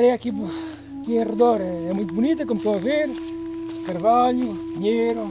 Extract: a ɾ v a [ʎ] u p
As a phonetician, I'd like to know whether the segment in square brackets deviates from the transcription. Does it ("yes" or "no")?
no